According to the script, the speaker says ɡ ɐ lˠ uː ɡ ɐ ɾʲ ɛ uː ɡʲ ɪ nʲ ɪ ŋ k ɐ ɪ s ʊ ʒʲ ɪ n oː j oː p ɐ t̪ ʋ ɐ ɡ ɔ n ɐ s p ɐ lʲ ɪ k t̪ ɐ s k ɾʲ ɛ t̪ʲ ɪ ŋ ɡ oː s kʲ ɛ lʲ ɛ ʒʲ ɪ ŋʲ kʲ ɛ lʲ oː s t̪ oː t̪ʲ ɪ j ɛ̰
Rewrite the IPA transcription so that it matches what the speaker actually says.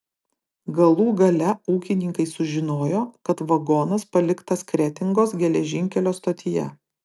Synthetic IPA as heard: ɡ ɐ lˠ uː ɡ ɐ lʲ ɛ uː kʲ ɪ nʲ ɪ ŋ k ɐ ɪ s ʊ ʒʲ ɪ n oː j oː k ɐ t̪ ʋ ɐ ɡ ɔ n ɐ s p ɐ lʲ ɪ k t̪ ɐ s k ɾʲ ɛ t̪ʲ ɪ ŋ ɡ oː s ɡʲ ɛ lʲ ɛ ʒʲ ɪ ŋʲ kʲ ɛ lʲ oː s t̪ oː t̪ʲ ɪ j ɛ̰